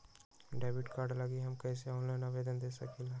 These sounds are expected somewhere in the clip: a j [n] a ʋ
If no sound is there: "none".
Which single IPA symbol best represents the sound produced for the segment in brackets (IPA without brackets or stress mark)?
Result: n